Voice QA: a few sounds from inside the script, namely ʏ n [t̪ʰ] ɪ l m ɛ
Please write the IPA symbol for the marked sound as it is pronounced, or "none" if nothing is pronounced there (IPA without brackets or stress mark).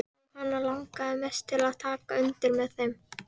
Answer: t̪